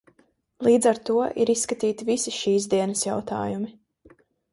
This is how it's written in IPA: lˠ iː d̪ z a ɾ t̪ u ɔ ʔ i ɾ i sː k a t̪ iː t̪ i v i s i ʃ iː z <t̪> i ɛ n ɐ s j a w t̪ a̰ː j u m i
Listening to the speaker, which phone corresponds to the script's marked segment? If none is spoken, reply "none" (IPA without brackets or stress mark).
d̪